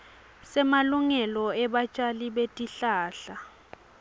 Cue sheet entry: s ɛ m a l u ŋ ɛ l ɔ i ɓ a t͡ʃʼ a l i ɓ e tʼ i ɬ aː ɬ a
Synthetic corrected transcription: s ɛ m a l u ŋ ɛ l ɔ ɛ ɓ a t͡ʃʼ a l i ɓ e tʼ i ɬ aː ɬ a